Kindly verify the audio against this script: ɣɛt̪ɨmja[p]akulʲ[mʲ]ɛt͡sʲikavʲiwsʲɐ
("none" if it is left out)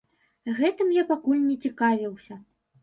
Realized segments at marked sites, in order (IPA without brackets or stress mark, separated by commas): p, nʲ